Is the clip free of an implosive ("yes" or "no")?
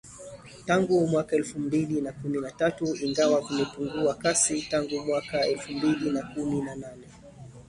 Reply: yes